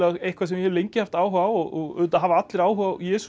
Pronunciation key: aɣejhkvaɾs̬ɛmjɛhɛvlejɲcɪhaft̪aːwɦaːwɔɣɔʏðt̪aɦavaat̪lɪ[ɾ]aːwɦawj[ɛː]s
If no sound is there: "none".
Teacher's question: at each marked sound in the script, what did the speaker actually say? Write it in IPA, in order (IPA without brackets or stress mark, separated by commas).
ɾ, ɛː